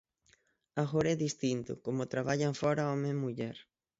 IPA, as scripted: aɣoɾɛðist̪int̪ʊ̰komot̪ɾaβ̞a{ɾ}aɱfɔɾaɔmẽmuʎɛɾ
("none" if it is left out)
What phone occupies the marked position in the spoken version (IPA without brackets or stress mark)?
ʎ